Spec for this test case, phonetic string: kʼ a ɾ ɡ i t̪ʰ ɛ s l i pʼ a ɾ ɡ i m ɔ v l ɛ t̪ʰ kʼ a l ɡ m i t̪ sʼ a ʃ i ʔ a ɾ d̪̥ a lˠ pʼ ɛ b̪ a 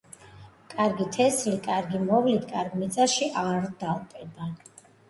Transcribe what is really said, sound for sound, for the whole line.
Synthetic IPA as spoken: kʼ a ɾ ɡ i t̪ʰ ɛ s l i kʼ a ɾ ɡ i m ɔ v l i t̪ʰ kʼ a ɾ ɡ m i t̪ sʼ a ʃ i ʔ a ɾ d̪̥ a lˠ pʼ ɛ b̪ a

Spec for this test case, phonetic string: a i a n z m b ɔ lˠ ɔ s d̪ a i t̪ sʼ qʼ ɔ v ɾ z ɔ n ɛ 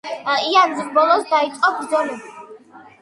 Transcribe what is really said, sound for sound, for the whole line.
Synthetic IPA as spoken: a i a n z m b ɔ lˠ ɔ s d̪ a i t̪ sʼ qʼ ɔ b ɾ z ɔ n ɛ

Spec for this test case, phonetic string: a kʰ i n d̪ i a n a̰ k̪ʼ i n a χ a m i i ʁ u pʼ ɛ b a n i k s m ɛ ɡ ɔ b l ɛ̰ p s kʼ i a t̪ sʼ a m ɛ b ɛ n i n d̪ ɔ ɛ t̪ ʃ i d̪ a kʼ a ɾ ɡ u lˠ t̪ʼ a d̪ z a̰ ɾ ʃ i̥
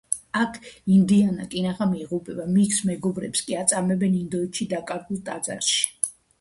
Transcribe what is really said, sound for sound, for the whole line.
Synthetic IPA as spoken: a kʰ i n d̪ i a n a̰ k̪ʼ i n a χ a m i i ʁ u pʼ ɛ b a m i k s m ɛ ɡ ɔ b ɾ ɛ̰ p s kʼ i a t̪ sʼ a m ɛ b ɛ n i n d̪ ɔ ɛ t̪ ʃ i d̪ a kʼ a ɾ ɡ u lˠ t̪ʼ a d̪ z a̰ ɾ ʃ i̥

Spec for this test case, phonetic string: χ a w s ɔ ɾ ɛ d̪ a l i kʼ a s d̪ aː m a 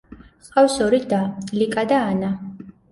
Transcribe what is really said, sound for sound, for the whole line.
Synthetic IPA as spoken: χ a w s ɔ ɾ i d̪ a l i kʼ a d̪ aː n a

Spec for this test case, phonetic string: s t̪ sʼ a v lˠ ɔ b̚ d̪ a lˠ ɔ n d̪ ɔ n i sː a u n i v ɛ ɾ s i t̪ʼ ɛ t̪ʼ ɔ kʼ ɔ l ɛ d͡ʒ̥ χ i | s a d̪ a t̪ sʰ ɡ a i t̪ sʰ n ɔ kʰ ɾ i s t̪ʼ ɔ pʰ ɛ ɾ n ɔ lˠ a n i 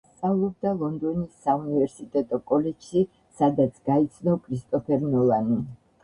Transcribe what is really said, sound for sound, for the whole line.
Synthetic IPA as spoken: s t̪ sʼ a v lˠ ɔ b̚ d̪ a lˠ ɔ n d̪ ɔ n i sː a u n i v ɛ ɾ s i t̪ʼ ɛ t̪ʼ ɔ kʼ ɔ l ɛ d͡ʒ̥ ʃ i | s a d̪ a t̪ sʰ ɡ a i t̪ sʰ n ɔ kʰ ɾ i s t̪ʼ ɔ pʰ ɛ ɾ n ɔ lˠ a n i

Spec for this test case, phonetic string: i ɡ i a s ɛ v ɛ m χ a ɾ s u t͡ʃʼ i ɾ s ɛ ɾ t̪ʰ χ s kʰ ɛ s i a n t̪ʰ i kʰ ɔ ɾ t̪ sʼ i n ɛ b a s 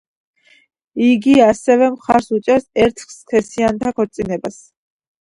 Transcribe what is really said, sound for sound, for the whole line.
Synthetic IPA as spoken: i ɡ i a s ɛ v ɛ m χ a ɾ s u t͡ʃʼ ɛ ɾ s ɛ ɾ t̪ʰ χ s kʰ ɛ s i a n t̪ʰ a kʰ ɔ ɾ t̪ sʼ i n ɛ b a s

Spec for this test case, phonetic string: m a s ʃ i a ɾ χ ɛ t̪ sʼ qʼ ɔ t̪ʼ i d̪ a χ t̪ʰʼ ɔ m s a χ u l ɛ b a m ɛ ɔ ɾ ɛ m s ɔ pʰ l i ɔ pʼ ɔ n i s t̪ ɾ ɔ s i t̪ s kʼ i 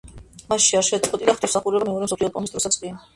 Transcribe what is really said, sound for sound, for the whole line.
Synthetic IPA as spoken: m a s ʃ i a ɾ ʃ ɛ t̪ sʼ qʼ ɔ t̪ʼ i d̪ a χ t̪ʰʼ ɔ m s a χ u ɾ ɛ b a m ɛ ɔ ɾ ɛ m s ɔ pʰ l i ɔ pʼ ɔ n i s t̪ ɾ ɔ s a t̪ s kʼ i

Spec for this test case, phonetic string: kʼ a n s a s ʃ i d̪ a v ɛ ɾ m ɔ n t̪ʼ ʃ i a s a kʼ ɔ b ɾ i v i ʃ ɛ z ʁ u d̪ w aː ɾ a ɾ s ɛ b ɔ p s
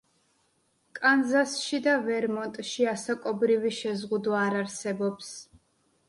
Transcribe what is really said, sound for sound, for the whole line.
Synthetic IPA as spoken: kʼ a n z a s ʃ i d̪ a v ɛ ɾ m ɔ n t̪ʼ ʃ i a s a kʼ ɔ b ɾ i v i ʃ ɛ z ʁ u d̪ w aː ɾ a ɾ s ɛ b ɔ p s

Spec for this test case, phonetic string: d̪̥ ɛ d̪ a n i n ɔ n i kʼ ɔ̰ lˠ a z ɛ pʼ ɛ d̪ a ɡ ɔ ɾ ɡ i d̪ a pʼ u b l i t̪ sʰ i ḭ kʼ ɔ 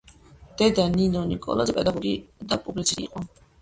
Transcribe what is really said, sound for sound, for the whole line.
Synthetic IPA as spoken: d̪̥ ɛ d̪ a n i n ɔ n i kʼ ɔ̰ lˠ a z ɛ pʼ ɛ d̪ a ɡ ɔ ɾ ɡ i d̪ a pʼ u b l i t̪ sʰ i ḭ qʼ ɔ

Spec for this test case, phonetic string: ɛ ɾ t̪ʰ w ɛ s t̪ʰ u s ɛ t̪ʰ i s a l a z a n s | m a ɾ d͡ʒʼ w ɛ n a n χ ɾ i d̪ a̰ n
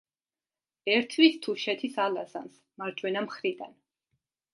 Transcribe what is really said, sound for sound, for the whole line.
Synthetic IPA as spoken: ɛ ɾ t̪ʰ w i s t̪ʰ u ʃ ɛ t̪ʰ i s a l a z a n s | m a ɾ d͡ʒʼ w ɛ n a m χ ɾ i d̪ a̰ n

